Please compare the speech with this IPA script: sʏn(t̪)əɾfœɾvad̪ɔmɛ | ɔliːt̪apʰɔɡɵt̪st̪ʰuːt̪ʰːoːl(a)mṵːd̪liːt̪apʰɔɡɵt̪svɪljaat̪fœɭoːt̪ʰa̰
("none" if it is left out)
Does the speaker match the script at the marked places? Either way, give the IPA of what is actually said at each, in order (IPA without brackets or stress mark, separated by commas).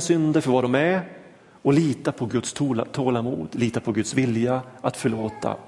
d̪, a